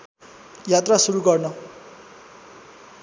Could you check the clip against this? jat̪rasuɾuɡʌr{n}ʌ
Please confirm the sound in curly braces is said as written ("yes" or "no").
yes